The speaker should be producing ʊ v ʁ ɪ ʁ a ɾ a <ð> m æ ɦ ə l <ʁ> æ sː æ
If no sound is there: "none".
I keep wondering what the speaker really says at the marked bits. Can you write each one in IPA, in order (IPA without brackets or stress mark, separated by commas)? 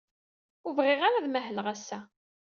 ð, ʁ